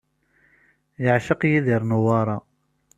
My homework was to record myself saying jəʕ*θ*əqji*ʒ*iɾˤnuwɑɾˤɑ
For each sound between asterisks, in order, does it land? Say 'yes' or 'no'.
no, no

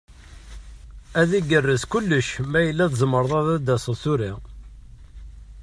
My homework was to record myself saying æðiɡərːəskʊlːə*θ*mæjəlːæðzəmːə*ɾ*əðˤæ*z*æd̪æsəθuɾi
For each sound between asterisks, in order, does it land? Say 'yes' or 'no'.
no, yes, no

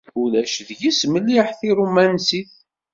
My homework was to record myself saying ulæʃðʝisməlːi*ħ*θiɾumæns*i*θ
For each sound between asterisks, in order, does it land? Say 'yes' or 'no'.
yes, yes

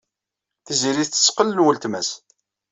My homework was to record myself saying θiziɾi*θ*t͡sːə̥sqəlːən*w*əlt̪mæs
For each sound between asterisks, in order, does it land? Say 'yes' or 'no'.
yes, yes

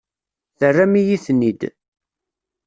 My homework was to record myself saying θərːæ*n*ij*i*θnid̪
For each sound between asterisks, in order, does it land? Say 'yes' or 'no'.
no, yes

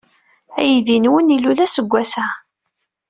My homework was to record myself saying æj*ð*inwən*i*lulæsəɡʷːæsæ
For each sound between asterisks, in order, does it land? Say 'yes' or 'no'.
yes, yes

